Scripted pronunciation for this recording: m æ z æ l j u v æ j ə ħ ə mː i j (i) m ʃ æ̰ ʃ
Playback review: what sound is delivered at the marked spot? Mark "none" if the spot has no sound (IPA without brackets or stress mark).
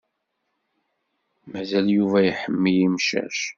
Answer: i